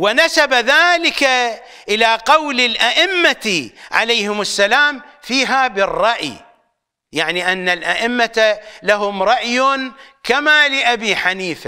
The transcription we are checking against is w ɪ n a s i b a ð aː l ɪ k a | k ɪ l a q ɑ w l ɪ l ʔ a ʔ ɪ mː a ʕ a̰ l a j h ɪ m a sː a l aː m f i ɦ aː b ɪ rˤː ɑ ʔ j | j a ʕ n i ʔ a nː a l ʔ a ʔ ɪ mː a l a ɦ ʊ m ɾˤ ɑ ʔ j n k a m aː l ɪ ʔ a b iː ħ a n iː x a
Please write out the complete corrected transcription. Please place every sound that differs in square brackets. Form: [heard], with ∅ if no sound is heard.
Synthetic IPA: w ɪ n a s [a] b a ð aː l ɪ k a | [ʔ] ɪ l a q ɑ w l ɪ l ʔ a ʔ ɪ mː a ʕ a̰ l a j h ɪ m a sː a l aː m f [iː] ɦ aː b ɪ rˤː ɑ ʔ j | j a ʕ n i ʔ a nː a l ʔ a ʔ ɪ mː a l a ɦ ʊ m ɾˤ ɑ ʔ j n k a m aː l ɪ ʔ a b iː ħ a n iː [f] a